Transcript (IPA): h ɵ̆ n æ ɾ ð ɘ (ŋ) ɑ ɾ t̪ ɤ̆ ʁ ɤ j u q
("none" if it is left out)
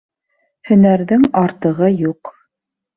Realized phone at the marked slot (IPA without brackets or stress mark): ŋ